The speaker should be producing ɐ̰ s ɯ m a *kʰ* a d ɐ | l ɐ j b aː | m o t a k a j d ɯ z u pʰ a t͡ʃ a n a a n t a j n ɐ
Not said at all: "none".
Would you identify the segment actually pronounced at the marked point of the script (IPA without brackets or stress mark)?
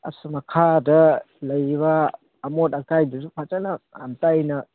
kʰ